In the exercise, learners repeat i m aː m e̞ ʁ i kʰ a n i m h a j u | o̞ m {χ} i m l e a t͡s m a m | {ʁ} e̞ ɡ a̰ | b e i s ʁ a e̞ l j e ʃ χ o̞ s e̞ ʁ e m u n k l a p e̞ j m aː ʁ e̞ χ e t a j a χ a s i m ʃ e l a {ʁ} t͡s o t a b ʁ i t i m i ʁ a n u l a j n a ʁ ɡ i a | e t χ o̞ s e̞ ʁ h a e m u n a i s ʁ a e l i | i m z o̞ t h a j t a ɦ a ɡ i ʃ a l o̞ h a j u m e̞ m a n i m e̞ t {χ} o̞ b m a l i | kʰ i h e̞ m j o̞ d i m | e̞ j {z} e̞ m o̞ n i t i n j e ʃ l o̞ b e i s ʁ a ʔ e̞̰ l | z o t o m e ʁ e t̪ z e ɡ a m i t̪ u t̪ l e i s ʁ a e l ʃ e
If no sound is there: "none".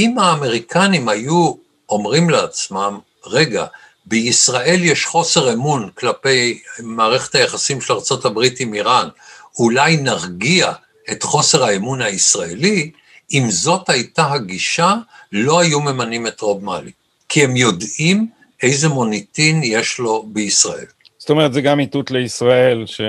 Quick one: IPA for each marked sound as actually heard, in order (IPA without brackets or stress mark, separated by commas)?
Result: ʁ, ʁ, ʁ, ʁ, z